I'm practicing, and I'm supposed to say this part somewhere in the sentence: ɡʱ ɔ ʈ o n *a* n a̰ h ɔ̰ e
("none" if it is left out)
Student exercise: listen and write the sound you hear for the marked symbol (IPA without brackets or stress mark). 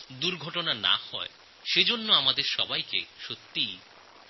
a